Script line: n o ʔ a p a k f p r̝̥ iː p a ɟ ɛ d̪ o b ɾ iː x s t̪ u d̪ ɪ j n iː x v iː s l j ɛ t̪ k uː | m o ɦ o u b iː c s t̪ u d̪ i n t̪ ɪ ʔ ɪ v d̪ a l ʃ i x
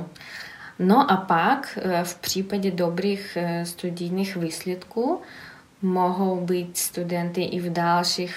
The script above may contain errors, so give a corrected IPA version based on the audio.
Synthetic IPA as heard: n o ʔ a p a k f p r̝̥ iː p a ɟ ɛ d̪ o b ɾ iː x s t̪ u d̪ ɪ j n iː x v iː s l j ɛ t̪ k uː | m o ɦ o w b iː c s t̪ u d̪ ɛ n t̪ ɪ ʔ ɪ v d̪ a l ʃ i x